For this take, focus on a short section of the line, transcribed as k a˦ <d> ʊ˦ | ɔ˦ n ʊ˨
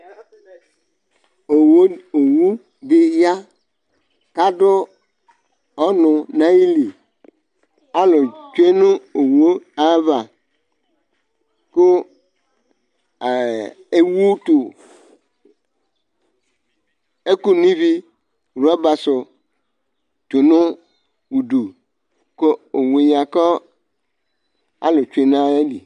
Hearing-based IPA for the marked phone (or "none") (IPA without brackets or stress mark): d